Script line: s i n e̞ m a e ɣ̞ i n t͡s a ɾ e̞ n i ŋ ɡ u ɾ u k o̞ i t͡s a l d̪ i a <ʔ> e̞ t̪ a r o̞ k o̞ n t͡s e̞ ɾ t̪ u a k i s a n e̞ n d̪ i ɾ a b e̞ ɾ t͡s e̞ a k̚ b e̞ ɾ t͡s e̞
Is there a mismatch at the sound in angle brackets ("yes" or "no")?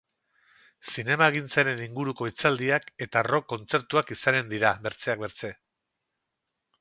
yes